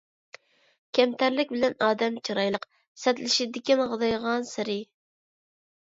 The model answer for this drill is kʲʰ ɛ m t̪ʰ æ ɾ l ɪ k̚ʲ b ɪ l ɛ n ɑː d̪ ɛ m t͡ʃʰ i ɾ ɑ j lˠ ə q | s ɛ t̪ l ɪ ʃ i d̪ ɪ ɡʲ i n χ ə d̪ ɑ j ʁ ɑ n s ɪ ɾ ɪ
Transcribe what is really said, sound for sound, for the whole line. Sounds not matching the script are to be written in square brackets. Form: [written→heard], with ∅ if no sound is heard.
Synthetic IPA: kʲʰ ɛ m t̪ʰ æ ɾ l ɪ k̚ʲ b ɪ l ɛ n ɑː d̪ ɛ m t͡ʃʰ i ɾ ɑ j lˠ ə q | s ɛ t̪ l ɪ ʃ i d̪ ɪ [ɡʲ→kʲ] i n [χ→ʁ] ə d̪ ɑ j ʁ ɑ n s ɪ ɾ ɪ